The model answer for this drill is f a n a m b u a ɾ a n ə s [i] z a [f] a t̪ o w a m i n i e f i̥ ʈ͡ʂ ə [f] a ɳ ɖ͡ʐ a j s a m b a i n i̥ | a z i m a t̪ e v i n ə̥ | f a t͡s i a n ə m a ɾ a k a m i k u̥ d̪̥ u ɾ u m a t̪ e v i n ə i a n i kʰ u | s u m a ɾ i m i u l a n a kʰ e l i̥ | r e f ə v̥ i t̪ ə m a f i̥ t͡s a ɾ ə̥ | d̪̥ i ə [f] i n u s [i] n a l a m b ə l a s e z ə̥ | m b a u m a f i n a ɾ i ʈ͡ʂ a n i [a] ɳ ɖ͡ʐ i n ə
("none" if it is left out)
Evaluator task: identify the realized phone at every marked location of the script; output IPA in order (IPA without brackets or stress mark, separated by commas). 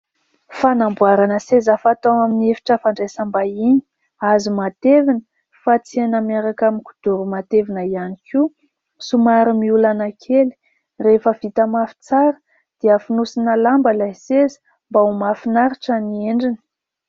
e, f, f, f, i, e